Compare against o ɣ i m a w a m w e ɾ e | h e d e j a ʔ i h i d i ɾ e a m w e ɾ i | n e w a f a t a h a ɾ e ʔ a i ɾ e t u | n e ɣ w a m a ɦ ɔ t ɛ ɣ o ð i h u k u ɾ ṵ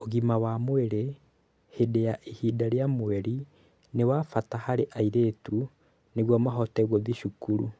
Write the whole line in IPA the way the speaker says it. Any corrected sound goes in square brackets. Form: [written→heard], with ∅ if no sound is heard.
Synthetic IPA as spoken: o ɣ i m a w a m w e ɾ e | h e d e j a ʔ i h i d [i→a] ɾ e a m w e ɾ i | n e w a f a t a h a ɾ e ʔ a i ɾ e t u | n e ɣ w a m a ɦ ɔ t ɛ ɣ o ð i [h→ʃ] u k u ɾ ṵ